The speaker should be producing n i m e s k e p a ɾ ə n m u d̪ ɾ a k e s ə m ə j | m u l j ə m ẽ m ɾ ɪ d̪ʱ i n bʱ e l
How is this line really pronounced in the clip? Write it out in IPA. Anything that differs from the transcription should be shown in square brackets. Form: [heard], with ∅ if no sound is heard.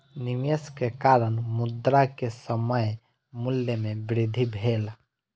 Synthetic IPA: n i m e s k e [k] a ɾ ə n m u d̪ ɾ a k e s ə m ə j | m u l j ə m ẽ [b] ɾ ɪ d̪ʱ i [∅] bʱ e l